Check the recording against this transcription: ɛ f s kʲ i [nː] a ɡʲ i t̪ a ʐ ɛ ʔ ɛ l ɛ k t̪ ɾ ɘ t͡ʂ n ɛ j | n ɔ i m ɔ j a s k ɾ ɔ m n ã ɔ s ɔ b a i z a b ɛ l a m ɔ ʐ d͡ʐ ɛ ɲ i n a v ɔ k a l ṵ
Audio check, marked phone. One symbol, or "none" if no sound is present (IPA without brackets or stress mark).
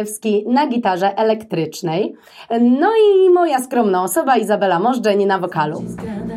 n